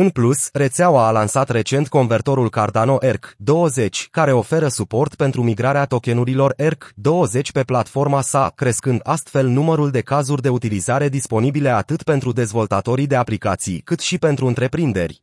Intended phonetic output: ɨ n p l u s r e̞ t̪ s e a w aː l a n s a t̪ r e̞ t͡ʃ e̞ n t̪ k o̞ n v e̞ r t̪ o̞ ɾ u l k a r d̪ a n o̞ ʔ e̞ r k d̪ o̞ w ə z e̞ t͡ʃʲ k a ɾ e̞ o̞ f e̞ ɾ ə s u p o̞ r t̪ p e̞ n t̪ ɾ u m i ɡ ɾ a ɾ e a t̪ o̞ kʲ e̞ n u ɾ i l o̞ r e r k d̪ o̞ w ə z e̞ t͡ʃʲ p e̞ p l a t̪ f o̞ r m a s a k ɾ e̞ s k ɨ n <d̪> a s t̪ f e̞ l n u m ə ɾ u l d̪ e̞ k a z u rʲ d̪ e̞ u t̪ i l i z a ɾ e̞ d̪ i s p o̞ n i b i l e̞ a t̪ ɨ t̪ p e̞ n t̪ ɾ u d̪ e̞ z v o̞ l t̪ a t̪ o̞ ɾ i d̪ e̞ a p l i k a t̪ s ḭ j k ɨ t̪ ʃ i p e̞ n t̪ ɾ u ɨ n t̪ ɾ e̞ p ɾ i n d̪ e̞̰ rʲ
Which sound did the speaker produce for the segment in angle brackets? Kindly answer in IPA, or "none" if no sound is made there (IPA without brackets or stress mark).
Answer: d̪